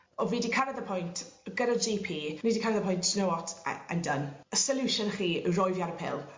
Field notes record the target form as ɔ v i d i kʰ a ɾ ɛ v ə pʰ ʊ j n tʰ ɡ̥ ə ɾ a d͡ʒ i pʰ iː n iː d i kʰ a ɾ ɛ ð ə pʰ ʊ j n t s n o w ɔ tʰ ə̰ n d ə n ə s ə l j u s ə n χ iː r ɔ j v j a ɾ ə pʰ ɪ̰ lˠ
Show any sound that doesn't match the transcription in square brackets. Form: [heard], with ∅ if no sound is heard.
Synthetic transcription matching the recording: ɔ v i d i kʰ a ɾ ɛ [ð] ə pʰ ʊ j n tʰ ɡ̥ ə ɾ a d͡ʒ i pʰ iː n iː d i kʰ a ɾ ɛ ð ə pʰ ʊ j n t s n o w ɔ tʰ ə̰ n d ə n ə s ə l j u [ʃ] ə n χ iː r ɔ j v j a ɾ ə pʰ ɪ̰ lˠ